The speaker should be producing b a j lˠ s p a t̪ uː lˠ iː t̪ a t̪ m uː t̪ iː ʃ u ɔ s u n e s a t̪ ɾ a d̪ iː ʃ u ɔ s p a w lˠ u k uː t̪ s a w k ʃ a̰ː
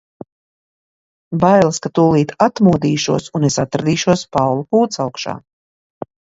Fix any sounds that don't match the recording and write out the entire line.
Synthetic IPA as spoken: b a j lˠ s k a t̪ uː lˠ iː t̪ a t̪ m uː d̪ iː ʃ u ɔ s u n e s a t̪ ɾ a d̪ iː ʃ u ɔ s p a w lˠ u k uː t̪ s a w k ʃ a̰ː